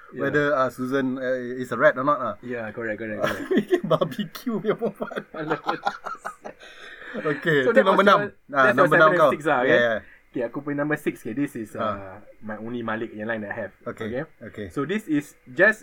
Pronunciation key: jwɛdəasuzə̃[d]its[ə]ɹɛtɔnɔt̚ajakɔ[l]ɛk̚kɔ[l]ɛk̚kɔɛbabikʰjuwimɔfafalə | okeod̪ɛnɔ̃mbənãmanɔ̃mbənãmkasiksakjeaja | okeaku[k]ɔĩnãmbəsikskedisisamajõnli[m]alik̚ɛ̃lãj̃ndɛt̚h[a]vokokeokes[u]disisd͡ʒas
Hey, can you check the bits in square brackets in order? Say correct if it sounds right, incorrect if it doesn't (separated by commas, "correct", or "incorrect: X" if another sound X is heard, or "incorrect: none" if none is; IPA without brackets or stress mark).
incorrect: n, correct, incorrect: ɹ, incorrect: ɹ, incorrect: p, correct, incorrect: ɛ, incorrect: o